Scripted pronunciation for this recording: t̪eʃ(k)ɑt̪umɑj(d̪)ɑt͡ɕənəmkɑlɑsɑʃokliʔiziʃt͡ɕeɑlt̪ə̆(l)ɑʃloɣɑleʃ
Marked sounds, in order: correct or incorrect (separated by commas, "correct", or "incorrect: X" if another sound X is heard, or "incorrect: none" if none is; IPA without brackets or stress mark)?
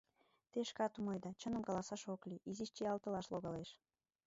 correct, correct, correct